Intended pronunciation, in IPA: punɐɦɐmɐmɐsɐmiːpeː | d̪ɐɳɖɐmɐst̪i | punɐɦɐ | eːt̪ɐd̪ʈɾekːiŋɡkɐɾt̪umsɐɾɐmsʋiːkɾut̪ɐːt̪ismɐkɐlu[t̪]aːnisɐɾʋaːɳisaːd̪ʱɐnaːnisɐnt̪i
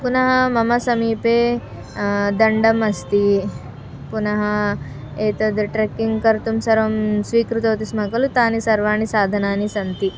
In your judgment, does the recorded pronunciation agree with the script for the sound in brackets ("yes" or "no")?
yes